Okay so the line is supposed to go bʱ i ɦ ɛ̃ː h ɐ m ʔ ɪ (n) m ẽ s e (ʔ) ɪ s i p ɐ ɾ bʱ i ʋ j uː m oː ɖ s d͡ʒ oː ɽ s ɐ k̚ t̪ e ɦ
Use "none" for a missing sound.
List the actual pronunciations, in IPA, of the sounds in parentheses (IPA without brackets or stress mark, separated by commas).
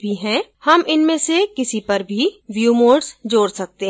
n, k